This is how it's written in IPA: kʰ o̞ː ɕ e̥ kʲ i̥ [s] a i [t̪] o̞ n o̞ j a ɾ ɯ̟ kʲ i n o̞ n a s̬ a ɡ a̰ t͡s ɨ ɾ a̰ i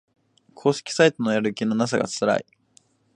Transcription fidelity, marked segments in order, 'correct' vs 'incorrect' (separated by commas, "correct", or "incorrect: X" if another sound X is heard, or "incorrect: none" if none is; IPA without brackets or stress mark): correct, correct